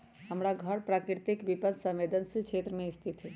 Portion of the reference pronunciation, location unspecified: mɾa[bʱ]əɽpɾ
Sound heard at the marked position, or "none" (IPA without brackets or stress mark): ɡʱ